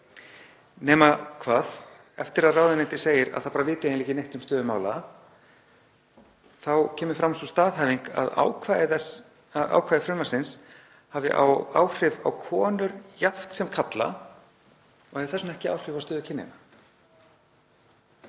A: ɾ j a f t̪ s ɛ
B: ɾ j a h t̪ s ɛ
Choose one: A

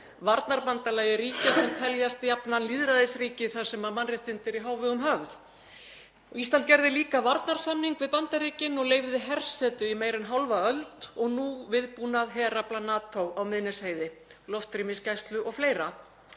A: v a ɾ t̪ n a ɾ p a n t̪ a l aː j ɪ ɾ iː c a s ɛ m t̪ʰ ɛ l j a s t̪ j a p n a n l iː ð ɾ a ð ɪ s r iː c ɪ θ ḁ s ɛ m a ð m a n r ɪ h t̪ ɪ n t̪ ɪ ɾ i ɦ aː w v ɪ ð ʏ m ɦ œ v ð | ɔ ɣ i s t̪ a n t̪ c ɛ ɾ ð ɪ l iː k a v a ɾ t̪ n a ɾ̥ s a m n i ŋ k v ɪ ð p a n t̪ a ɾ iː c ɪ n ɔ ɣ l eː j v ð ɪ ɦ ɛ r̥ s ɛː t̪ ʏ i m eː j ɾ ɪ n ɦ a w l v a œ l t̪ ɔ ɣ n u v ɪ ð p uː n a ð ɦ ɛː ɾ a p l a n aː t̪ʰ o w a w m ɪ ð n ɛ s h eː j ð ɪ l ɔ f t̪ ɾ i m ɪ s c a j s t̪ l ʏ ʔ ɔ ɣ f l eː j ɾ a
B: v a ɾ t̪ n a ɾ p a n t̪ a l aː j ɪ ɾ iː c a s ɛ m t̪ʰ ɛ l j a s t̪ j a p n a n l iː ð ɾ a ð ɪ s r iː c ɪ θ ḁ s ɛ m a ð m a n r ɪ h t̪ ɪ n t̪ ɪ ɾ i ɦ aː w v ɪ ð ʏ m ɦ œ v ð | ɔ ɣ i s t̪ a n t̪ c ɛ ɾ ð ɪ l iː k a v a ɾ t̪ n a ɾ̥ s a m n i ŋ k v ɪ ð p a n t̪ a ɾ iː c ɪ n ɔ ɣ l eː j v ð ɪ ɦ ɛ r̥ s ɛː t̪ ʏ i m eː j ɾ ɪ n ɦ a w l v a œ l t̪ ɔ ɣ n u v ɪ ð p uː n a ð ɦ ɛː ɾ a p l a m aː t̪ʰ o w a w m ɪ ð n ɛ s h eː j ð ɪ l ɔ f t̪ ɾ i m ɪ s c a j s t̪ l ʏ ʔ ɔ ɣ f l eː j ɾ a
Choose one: A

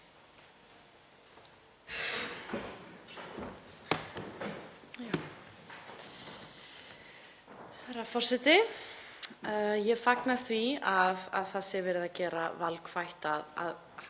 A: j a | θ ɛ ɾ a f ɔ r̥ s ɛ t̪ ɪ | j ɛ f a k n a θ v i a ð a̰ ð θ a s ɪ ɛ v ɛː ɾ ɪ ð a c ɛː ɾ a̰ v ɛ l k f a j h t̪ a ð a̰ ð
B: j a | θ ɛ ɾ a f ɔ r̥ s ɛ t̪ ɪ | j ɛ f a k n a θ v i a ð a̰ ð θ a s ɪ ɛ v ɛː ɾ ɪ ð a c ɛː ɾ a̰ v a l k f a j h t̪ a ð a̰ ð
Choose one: B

